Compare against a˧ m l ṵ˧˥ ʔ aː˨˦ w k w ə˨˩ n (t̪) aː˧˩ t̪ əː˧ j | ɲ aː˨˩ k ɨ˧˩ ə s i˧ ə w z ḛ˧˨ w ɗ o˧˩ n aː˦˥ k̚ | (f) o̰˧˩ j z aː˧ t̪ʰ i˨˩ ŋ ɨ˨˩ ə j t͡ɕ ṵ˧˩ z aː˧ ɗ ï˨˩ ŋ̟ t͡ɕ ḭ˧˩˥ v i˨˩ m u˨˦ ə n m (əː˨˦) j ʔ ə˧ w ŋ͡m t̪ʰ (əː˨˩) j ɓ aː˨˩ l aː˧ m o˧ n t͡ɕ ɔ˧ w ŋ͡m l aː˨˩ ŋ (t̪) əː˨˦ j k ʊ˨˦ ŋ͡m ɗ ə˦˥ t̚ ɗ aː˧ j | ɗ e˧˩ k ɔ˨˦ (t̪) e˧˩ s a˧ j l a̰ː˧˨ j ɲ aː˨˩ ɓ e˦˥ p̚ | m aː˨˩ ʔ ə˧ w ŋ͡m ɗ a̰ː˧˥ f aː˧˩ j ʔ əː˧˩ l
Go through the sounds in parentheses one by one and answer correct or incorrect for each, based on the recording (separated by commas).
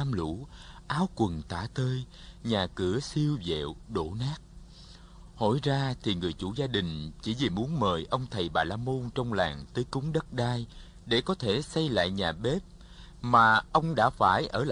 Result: correct, incorrect, incorrect, incorrect, correct, incorrect